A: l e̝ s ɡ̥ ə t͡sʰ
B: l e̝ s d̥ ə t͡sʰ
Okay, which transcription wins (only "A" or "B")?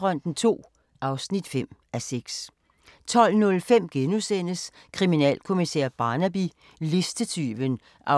B